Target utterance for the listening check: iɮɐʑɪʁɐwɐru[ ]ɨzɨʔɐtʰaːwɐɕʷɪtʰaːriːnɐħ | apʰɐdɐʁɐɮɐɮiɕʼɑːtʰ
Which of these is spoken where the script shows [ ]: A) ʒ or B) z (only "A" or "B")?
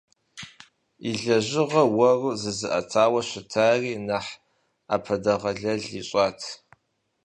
B